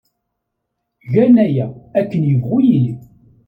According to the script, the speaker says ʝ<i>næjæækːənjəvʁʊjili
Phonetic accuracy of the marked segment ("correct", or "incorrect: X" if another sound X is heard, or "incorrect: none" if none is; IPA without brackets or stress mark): incorrect: æ